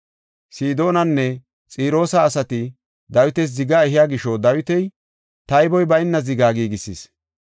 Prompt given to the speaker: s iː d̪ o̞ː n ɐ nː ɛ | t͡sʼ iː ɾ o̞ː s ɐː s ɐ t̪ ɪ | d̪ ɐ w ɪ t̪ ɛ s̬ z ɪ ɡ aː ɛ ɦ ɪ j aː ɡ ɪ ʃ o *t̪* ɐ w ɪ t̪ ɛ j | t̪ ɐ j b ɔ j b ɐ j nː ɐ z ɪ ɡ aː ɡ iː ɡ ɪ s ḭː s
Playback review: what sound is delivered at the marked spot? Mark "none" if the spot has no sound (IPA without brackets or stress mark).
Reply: d̪